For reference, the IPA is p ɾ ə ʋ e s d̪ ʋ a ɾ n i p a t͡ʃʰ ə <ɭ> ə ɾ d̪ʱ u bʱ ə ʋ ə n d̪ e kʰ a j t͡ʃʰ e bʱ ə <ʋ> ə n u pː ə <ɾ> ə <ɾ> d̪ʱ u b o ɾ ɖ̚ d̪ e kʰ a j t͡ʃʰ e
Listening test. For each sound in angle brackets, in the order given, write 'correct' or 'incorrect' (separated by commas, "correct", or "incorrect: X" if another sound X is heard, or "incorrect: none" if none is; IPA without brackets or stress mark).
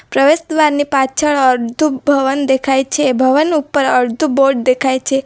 correct, correct, correct, correct